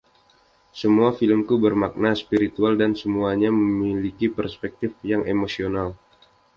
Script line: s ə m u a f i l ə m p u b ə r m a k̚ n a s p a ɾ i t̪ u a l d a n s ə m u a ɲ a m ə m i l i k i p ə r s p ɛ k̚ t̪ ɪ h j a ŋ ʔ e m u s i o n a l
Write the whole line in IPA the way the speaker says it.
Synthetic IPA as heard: s ə m u a f i l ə m k u b ə r m a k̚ n a s p i ɾ i t̪ u a l d a n s ə m u a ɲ a m ə m i l i k i p ə r s p ɛ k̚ t̪ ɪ f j a ŋ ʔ e m o s i o n a l